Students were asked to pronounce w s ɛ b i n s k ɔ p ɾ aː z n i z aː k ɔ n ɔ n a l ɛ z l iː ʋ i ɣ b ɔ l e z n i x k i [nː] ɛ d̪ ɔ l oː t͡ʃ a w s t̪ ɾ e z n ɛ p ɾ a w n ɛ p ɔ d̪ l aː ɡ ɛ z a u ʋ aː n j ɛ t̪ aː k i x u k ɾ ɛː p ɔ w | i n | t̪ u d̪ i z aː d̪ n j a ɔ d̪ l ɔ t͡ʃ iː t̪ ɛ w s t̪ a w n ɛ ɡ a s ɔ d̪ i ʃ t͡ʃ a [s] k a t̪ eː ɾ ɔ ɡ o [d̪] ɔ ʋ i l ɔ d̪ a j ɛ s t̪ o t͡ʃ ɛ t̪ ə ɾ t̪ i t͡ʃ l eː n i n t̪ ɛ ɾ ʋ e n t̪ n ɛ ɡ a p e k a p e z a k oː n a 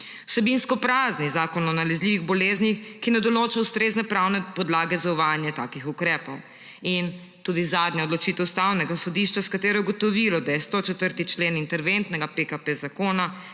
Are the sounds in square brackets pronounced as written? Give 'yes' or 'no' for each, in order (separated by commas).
no, yes, no